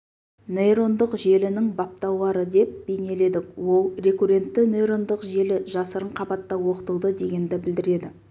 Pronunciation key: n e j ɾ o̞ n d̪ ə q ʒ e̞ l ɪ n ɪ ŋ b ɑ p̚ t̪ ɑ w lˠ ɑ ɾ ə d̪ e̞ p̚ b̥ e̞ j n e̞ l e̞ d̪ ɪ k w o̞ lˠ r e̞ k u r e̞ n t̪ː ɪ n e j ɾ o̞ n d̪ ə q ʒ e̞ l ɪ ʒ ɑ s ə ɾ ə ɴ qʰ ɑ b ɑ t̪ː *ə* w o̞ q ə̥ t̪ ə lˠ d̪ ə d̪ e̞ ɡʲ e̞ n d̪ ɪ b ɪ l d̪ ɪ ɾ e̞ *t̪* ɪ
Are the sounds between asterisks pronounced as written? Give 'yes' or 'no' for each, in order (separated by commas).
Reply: no, no